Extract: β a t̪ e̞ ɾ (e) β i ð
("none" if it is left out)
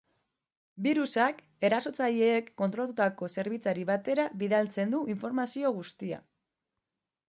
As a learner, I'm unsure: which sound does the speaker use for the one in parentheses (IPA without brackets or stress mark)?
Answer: a